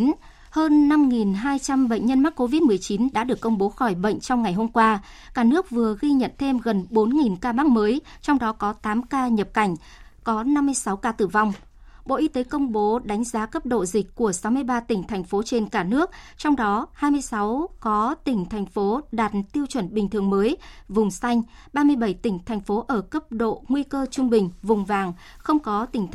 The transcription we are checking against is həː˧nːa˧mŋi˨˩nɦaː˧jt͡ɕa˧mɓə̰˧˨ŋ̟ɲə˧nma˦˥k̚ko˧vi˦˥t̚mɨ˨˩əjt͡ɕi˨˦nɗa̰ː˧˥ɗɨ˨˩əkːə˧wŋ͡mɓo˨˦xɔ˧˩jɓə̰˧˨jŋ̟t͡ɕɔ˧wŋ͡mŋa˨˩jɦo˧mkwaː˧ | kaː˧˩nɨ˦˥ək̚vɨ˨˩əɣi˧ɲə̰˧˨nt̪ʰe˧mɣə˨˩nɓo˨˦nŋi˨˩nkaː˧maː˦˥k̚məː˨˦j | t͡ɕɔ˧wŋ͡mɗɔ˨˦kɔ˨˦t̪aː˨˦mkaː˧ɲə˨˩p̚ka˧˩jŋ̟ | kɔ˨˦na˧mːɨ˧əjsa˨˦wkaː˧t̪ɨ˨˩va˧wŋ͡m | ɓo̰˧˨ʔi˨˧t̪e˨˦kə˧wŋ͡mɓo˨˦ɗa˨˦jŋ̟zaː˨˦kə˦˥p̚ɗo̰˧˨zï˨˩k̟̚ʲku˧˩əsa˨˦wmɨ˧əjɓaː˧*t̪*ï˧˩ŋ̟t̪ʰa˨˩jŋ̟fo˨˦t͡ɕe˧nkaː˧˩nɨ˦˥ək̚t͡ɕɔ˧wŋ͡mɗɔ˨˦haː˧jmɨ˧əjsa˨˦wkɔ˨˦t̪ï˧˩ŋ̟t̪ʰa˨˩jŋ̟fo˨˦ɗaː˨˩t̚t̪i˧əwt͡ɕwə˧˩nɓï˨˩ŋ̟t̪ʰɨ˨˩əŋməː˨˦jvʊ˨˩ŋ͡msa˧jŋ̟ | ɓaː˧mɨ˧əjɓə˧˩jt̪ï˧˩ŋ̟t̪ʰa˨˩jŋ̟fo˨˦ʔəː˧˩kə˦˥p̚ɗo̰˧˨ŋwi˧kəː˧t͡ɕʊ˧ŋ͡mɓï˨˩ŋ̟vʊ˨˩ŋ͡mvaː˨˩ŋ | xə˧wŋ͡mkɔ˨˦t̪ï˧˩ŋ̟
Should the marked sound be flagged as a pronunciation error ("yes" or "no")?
no